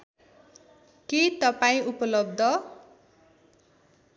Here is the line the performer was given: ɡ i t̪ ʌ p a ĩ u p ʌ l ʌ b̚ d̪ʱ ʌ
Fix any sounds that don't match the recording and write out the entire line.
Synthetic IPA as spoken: k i t̪ ʌ p a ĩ u p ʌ l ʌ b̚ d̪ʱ ʌ

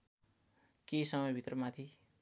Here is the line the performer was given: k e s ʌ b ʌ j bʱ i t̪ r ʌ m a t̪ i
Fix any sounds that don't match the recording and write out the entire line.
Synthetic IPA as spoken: k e s ʌ m ʌ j bʱ i t̪ r ʌ m a t̪ʰ i

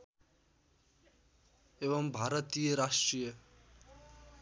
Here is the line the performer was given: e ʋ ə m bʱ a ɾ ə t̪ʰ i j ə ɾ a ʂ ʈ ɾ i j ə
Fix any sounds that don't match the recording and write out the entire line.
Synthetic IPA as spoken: e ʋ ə m bʱ a ɾ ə t̪ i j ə ɾ a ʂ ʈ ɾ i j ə

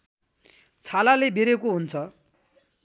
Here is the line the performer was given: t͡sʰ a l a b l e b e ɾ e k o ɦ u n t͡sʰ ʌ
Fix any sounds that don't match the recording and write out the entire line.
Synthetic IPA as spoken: t͡sʰ a l a l e b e ɾ e k o ɦ u n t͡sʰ ʌ

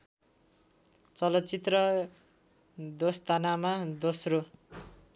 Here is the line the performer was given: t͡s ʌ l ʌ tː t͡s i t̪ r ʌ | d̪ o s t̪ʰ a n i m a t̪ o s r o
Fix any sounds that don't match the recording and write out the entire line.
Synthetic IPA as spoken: t͡s ʌ l ʌ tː t͡s i t̪ r ʌ | d̪ o s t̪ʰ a n a m a d̪ o s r o

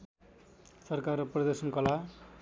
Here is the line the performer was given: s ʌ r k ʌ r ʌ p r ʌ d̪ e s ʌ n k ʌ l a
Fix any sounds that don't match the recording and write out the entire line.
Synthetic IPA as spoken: s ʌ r k a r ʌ p r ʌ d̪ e s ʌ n k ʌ l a

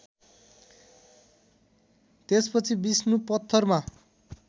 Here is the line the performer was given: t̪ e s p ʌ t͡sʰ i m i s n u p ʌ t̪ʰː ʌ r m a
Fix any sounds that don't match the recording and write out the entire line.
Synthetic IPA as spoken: t̪ e s p ʌ t͡sʰ i b i s n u p ʌ t̪ʰː ʌ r m a

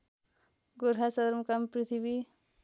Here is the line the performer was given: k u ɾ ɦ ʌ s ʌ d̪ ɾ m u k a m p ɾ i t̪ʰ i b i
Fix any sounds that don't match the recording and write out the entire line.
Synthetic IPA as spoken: ɡ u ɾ ɦ a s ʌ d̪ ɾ m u k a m p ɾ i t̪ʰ i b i

